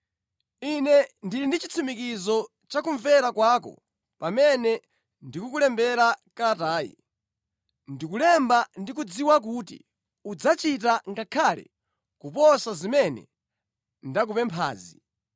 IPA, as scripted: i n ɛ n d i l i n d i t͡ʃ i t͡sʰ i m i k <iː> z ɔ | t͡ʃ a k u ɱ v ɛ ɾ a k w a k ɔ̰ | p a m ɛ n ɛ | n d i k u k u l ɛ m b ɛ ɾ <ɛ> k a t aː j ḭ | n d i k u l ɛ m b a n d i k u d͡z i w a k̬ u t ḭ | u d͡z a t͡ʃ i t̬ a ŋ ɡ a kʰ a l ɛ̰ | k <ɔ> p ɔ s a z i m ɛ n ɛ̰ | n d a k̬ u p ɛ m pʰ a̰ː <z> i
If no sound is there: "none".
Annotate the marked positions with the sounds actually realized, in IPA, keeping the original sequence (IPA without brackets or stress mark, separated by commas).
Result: i, a, u, z